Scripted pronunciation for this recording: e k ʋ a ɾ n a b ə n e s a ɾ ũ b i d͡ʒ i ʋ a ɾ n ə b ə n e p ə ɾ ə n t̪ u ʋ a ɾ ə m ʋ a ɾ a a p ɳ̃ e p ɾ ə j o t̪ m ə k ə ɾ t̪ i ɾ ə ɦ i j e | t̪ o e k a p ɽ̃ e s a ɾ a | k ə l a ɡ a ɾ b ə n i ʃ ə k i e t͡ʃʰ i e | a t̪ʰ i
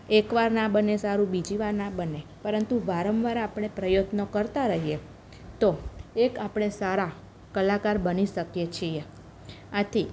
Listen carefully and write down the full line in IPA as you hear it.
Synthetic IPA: e k ʋ a ɾ n a b ə n e s a ɾ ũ b i d͡ʒ i ʋ a ɾ n a b ə n e p ə ɾ ə n t̪ u ʋ a ɾ ə m ʋ a ɾ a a p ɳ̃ e p ɾ ə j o t̪ n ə k ə ɾ t̪ a ɾ ə ɦ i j e | t̪ o e k a p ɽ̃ e s a ɾ a | k ə l a k a ɾ b ə n i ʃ ə k j e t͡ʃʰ i e | a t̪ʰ i